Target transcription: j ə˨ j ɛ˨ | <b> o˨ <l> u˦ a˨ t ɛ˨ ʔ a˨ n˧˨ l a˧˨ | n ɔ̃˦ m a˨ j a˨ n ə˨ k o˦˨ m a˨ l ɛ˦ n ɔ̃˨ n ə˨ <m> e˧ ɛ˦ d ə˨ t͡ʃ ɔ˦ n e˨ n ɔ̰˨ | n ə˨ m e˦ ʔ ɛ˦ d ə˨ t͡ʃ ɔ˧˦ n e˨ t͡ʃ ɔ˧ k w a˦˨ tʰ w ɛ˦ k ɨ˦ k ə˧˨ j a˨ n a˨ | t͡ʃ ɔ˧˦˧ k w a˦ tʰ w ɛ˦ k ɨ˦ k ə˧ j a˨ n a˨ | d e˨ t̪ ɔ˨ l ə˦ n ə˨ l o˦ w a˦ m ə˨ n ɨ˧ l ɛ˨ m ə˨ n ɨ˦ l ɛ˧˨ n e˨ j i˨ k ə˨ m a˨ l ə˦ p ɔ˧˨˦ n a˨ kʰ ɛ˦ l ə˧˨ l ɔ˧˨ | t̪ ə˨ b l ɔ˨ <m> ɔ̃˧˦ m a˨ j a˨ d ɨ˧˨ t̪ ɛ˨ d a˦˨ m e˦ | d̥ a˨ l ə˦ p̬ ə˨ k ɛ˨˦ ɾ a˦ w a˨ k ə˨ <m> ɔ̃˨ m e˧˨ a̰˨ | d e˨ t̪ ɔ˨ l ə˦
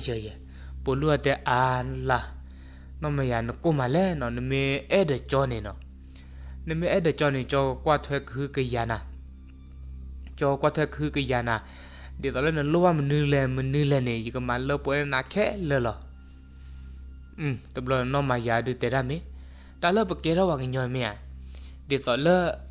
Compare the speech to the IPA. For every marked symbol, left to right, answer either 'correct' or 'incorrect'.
incorrect: p, correct, correct, incorrect: n, incorrect: ɲ

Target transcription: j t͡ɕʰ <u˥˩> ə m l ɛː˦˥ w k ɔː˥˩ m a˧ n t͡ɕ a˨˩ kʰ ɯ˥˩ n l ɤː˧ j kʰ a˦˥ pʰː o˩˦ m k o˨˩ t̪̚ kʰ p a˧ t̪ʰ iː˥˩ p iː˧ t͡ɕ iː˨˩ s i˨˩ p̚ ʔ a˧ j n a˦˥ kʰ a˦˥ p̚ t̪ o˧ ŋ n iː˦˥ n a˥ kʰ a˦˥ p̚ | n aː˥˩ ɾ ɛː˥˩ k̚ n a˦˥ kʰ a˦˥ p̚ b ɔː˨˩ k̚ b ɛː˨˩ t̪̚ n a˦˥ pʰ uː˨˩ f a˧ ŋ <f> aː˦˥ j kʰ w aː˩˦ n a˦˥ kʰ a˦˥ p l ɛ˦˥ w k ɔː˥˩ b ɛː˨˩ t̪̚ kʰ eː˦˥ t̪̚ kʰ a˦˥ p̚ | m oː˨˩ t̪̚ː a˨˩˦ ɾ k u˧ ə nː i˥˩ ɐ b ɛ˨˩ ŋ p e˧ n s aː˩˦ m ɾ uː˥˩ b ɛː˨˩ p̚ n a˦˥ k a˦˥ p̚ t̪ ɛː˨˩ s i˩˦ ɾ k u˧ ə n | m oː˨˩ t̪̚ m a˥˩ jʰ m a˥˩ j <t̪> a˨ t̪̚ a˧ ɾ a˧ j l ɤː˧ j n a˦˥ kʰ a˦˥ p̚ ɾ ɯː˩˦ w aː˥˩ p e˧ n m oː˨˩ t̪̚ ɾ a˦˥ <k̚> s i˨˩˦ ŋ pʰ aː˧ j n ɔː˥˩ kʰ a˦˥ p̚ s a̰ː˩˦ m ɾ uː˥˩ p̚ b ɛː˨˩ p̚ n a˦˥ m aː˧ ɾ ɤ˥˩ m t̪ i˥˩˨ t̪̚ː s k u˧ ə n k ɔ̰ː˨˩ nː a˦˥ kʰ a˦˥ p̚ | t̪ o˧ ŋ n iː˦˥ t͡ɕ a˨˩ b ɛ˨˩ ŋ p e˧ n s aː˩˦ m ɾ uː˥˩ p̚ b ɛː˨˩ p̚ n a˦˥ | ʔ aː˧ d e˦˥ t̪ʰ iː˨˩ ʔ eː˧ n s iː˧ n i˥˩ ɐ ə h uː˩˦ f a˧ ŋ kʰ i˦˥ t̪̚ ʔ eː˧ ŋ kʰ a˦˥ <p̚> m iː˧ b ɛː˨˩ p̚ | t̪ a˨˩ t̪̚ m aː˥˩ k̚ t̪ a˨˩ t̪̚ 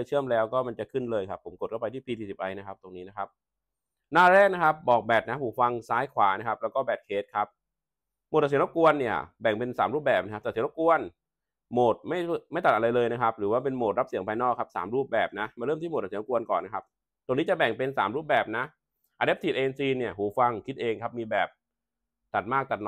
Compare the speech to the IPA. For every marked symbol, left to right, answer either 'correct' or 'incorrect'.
incorrect: ɯ˥˩, incorrect: s, correct, incorrect: p̚, correct

